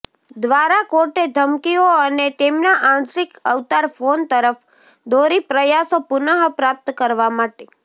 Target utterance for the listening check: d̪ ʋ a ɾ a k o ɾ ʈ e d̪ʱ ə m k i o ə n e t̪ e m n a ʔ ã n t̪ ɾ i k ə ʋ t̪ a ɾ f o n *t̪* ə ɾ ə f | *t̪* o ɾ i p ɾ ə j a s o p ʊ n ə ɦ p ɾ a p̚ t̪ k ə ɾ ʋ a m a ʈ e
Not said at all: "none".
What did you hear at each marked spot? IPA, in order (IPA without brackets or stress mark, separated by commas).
t̪, d̪